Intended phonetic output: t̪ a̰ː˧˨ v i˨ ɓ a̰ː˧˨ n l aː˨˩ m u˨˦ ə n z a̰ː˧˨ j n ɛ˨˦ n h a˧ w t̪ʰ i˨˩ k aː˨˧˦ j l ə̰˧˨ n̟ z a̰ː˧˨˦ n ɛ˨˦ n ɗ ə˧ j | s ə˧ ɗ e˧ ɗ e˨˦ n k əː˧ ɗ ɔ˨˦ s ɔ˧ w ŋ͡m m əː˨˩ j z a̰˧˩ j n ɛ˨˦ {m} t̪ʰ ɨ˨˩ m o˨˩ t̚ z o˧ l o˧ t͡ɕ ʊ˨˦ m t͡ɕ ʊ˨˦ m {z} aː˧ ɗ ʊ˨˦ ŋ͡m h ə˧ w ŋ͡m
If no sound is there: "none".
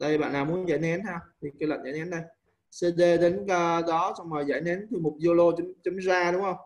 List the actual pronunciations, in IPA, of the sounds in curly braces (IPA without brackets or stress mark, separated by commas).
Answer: n, z